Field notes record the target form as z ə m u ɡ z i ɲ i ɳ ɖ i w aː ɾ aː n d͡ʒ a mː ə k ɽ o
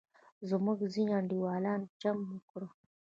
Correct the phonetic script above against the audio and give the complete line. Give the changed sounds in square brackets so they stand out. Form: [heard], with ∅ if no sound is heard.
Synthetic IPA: z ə m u ɡ z i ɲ [a] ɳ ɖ i w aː [l] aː n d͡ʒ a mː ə k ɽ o